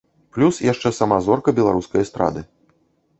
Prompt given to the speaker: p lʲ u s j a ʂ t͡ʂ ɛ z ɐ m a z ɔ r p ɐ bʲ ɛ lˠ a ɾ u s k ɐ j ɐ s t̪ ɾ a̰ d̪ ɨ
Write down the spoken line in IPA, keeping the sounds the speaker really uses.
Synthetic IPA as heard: p lʲ u s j a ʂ t͡ʂ ɛ s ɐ m a z ɔ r k ɐ bʲ ɛ lˠ a ɾ u s k ɐ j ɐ s t̪ ɾ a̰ d̪ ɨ